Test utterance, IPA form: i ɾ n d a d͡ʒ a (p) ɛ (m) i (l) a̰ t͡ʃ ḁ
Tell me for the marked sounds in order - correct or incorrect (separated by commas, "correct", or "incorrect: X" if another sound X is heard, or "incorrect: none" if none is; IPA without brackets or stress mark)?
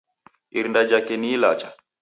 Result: incorrect: k, incorrect: n, correct